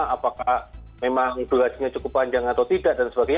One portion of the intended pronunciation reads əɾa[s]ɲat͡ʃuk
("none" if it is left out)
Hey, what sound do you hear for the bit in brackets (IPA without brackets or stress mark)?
s